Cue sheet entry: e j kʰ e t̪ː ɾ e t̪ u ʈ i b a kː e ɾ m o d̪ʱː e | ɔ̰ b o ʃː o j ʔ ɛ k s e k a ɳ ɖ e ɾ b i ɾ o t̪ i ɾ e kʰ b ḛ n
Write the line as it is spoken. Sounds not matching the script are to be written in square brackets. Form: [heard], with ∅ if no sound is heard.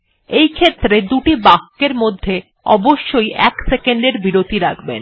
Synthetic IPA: e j kʰ e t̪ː ɾ e [d̪] u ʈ i b a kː e ɾ m o d̪ʱː e | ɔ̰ b o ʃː o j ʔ ɛ k s e k [e] ɳ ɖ e ɾ b i ɾ o t̪ i ɾ [a] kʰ b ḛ n

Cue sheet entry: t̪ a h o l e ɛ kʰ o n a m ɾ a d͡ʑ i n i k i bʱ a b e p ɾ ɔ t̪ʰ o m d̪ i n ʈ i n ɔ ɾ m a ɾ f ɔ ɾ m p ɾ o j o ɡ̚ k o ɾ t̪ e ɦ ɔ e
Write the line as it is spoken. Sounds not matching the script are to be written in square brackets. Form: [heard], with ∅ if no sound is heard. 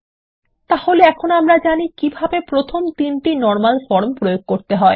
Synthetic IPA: t̪ a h o l e ɛ kʰ o n a m ɾ a d͡ʑ [a] n i k i bʱ a b e p ɾ [o] t̪ʰ o m [t̪] i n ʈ i n ɔ ɾ m a [l] f ɔ ɾ m p ɾ o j o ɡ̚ k o ɾ t̪ e ɦ ɔ e

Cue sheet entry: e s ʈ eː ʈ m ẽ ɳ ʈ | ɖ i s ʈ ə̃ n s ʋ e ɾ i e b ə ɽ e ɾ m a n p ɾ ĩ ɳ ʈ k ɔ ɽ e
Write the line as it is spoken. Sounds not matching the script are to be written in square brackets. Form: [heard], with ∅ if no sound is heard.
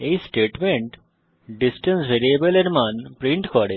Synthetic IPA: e s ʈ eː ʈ m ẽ ɳ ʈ | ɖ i s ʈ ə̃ n s ʋ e ɾ i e b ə [l] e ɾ m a n p ɾ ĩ ɳ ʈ k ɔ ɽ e

